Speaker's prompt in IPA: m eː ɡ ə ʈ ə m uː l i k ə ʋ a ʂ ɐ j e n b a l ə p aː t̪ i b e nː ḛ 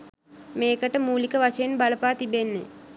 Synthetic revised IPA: m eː k ə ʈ ə m uː l i k ə ʋ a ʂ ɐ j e n b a l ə p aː t̪ i b e nː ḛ